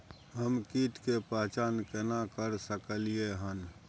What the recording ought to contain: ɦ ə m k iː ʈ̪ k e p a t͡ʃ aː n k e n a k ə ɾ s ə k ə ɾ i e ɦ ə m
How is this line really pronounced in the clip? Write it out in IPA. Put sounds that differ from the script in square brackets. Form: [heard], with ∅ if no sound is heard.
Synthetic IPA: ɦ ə m k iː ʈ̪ k e p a t͡ʃ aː n k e n a k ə ɾ s ə k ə [l] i e ɦ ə [n]